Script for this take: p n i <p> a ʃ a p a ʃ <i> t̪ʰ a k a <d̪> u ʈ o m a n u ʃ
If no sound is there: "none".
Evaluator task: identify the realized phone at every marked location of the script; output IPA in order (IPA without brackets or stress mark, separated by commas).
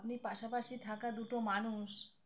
p, i, d̪